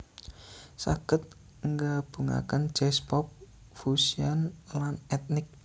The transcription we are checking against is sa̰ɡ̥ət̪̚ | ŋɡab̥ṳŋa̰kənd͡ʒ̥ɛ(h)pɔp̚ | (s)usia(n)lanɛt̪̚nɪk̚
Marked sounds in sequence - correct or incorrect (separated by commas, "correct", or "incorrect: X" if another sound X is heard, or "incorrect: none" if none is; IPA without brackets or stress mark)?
incorrect: s, incorrect: f, correct